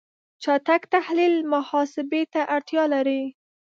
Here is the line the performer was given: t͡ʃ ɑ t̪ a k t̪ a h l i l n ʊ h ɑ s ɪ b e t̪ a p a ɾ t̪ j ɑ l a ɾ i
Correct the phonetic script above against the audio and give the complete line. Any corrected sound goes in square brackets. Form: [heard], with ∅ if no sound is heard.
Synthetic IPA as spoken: t͡ʃ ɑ t̪ a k t̪ a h l i l [m] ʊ h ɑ s ɪ b e t̪ a [ʔ] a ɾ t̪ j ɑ l a ɾ i